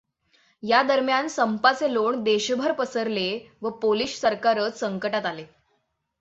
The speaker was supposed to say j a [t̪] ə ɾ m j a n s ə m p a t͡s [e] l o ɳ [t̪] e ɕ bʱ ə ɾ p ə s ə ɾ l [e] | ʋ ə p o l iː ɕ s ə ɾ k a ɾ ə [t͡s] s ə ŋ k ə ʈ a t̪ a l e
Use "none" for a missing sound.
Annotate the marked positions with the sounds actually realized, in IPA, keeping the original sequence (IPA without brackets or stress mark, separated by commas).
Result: d̪, e, d̪, e, t͡s